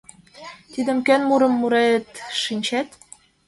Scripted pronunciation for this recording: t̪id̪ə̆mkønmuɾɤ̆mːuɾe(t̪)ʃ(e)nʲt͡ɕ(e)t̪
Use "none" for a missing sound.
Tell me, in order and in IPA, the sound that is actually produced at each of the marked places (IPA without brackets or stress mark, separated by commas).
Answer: t̪, i, æ